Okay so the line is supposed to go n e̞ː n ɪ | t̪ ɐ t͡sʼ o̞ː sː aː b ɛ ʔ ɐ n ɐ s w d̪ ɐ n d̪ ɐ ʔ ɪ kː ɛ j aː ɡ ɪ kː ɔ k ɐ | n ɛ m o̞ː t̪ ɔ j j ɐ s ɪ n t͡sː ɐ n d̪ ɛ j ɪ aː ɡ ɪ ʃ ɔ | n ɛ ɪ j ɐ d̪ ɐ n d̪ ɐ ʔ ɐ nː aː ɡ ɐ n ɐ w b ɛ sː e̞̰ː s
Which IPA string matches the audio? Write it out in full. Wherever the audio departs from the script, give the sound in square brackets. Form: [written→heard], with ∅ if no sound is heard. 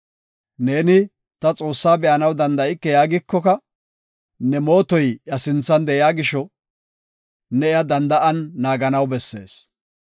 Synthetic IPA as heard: n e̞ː n ɪ | t̪ ɐ t͡sʼ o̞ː sː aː b ɛ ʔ ɐ n ɐ [s→∅] w d̪ ɐ n d̪ ɐ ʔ ɪ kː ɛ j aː ɡ ɪ kː ɔ k ɐ | n ɛ m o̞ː t̪ ɔ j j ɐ s ɪ n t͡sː ɐ n d̪ ɛ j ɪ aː ɡ ɪ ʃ ɔ | n ɛ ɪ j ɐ d̪ ɐ n d̪ ɐ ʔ ɐ nː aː ɡ ɐ n ɐ w b ɛ sː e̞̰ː s